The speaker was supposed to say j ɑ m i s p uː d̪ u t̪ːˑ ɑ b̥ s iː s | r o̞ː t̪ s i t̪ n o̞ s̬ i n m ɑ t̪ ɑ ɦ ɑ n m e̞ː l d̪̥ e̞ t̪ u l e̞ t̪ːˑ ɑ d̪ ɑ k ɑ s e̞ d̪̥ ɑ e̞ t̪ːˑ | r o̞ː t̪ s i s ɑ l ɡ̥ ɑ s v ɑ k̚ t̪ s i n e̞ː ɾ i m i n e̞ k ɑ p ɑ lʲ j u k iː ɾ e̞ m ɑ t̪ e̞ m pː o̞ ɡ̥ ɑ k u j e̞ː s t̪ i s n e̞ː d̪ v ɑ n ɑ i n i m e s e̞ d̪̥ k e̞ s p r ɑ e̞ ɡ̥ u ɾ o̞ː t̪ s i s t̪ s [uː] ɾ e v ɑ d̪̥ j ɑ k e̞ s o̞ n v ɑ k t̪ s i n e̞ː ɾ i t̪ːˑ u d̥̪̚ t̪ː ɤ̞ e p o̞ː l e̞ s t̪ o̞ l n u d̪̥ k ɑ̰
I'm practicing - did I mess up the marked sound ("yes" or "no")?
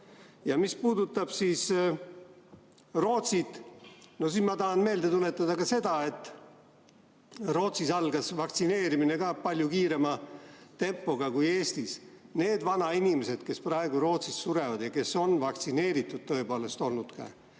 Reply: yes